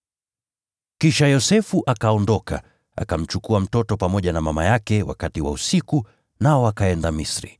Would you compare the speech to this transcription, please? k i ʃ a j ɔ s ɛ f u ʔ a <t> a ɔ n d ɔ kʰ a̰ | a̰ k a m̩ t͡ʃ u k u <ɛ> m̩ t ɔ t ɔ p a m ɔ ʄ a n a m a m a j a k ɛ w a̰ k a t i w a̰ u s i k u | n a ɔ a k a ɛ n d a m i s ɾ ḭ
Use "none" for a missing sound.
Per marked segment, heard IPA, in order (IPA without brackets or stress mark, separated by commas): k, a